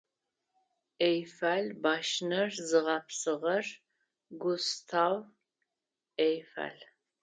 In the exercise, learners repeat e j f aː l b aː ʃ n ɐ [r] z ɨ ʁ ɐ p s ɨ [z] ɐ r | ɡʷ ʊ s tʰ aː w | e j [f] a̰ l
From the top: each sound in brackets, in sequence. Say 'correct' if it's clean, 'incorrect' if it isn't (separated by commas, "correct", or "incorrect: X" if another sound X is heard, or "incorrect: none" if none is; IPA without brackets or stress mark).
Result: correct, incorrect: ʁ, correct